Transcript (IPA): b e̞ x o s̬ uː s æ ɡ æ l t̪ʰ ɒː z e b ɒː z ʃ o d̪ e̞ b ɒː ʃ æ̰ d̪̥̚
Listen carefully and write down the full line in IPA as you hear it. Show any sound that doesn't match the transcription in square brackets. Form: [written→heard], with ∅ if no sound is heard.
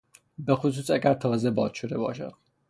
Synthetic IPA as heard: b e̞ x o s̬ uː s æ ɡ æ [l→ɾ] t̪ʰ ɒː z e b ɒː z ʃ o d̪ e̞ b ɒː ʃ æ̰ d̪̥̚

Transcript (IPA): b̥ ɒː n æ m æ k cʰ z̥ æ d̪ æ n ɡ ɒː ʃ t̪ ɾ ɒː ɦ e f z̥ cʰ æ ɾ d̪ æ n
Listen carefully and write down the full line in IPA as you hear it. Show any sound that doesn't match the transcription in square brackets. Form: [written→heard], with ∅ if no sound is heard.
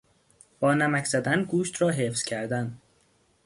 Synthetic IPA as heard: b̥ ɒː n æ m æ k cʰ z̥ æ d̪ æ n ɡ [ɒː→uː] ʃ t̪ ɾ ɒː ɦ e f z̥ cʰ æ ɾ d̪ æ n

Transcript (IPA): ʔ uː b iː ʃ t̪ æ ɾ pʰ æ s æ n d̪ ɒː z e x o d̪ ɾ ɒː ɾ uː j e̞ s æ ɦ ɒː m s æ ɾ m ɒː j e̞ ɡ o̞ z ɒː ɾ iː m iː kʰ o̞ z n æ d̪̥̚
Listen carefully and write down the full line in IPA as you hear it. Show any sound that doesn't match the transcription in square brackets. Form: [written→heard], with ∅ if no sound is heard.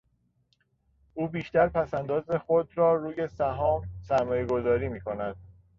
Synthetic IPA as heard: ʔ uː b iː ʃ t̪ æ ɾ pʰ æ s æ n d̪ ɒː z e x o d̪ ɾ ɒː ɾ uː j e̞ s æ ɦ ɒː m s æ ɾ m ɒː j e̞ ɡ o̞ z ɒː ɾ iː m iː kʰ o̞ [z→∅] n æ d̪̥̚

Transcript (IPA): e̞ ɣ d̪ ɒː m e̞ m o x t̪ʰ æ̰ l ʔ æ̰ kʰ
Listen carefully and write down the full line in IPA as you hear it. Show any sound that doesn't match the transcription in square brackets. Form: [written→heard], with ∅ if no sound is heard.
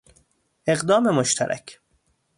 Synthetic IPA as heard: e̞ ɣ d̪ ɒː m e̞ m o [x→ʃ] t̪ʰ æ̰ [l→ɾ] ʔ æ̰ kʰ

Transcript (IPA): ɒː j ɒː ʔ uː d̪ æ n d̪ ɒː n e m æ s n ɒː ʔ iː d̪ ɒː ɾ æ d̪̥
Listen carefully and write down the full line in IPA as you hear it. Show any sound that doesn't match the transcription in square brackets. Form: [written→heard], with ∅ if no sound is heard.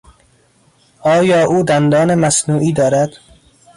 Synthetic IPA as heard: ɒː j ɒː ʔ uː d̪ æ n d̪ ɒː n e m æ s n [ɒː→uː] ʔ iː d̪ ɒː ɾ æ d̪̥

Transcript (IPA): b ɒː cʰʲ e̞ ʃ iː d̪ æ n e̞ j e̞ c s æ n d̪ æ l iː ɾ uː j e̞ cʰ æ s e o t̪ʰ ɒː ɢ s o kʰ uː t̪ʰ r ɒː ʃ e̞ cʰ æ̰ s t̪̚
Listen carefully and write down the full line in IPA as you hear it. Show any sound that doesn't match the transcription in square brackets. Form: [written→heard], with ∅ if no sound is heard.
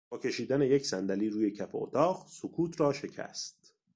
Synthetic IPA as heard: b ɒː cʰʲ e̞ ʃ iː d̪ æ n e̞ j e̞ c s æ n d̪ æ l iː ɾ uː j e̞ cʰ æ [s→f] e o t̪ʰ ɒː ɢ s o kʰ uː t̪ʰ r ɒː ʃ e̞ cʰ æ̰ s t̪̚

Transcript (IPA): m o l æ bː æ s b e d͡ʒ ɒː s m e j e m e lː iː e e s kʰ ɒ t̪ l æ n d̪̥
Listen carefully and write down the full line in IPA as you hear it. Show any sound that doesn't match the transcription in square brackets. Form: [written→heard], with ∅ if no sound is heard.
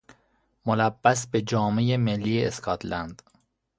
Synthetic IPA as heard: m o l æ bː æ s b e d͡ʒ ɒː [s→∅] m e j e m e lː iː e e s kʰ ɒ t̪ l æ n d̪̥

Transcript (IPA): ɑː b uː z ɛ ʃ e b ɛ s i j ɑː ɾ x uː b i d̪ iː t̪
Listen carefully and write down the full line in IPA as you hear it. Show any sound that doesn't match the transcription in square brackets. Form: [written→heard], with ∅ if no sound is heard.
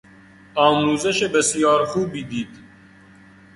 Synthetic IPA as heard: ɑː [b→m] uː z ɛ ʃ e b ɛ s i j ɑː ɾ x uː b i d̪ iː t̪

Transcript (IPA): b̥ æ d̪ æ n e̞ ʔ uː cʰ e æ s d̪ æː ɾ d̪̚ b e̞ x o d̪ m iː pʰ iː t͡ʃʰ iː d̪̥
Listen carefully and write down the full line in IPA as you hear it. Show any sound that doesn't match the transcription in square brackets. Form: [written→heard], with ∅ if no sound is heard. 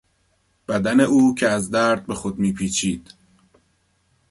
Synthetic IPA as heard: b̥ æ d̪ æ n e̞ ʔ uː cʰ e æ [s→z] d̪ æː ɾ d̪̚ b e̞ x o d̪ m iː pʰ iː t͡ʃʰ iː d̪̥

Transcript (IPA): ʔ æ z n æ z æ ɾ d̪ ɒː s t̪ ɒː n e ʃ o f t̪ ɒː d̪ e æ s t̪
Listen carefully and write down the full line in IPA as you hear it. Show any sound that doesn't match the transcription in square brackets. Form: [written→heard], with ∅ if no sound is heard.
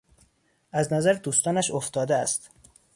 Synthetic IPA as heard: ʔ æ z n æ z æ ɾ d̪ [ɒː→uː] s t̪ ɒː n [e→æ] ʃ o f t̪ ɒː d̪ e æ s t̪

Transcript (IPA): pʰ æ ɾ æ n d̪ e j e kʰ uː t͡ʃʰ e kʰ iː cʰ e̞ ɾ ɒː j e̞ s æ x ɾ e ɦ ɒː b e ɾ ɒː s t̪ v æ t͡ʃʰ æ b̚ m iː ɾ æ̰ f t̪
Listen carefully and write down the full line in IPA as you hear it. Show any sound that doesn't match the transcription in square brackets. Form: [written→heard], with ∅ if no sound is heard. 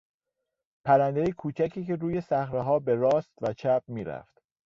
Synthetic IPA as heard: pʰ æ ɾ æ n d̪ e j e kʰ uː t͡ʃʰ [e→æ] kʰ iː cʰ e̞ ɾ [ɒː→uː] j e̞ s æ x ɾ e ɦ ɒː b e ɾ ɒː s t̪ v æ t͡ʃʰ æ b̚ m iː ɾ æ̰ f t̪

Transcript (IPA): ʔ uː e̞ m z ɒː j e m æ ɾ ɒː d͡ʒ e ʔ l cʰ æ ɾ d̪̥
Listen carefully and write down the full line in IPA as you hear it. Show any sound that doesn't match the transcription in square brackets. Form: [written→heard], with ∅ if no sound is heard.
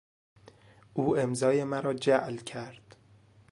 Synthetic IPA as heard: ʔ uː e̞ m z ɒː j e m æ ɾ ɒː d͡ʒ [e→æ] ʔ l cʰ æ ɾ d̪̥

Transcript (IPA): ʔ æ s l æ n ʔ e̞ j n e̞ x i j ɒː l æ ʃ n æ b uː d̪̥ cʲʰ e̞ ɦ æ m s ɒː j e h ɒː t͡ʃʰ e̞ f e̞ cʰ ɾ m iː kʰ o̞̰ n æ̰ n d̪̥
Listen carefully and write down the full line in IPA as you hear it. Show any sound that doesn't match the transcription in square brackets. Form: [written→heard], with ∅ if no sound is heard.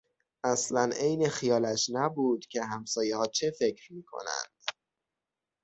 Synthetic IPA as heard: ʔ æ s l æ n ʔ e̞ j n e̞ x i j ɒː l æ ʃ n æ b uː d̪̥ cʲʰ e̞ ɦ æ m s ɒː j e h ɒː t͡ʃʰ e̞ f e̞ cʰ ɾ m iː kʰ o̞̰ n æ̰ n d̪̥

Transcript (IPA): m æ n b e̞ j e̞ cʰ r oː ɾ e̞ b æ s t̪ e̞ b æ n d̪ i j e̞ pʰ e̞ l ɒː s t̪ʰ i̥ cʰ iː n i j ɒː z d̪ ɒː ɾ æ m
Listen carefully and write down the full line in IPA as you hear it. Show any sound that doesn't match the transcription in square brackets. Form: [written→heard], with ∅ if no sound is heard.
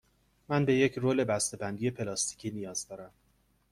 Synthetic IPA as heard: m æ n b e̞ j e̞ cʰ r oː [ɾ→l] e̞ b æ s t̪ e̞ b æ n d̪ i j e̞ pʰ e̞ l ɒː s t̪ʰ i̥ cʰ iː n i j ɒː z d̪ ɒː ɾ æ m

